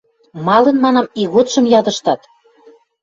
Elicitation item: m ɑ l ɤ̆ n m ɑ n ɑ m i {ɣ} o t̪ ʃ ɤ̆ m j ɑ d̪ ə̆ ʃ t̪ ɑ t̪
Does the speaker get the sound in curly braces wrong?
no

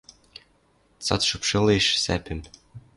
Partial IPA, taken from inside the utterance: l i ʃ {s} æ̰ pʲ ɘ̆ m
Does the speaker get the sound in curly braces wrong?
no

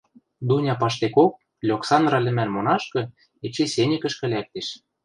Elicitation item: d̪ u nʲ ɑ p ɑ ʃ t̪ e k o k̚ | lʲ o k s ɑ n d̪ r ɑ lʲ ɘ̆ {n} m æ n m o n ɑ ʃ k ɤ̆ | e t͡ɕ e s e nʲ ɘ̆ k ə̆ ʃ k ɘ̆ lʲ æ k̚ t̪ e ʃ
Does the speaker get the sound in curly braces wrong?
yes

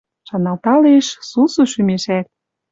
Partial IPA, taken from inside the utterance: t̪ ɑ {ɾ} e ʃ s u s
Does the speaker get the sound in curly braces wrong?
yes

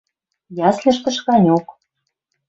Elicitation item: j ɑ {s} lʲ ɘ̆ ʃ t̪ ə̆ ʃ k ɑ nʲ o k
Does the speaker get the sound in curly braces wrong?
no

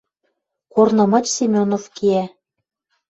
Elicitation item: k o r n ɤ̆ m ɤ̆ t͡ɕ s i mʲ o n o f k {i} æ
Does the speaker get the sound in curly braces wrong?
no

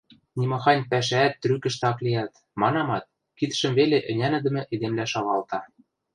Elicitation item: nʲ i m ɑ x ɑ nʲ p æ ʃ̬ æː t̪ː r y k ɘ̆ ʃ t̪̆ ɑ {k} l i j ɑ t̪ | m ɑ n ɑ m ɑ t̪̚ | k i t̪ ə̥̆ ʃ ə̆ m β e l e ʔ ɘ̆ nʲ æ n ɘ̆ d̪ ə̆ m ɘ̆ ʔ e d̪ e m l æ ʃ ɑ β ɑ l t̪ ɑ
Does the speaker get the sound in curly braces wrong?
no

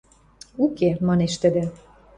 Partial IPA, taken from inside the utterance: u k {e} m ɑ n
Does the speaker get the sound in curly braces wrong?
no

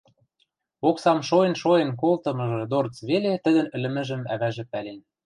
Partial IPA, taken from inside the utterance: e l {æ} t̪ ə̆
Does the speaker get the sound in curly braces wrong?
yes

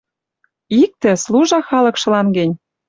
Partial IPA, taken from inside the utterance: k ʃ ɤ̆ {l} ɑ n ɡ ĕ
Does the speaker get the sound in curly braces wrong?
no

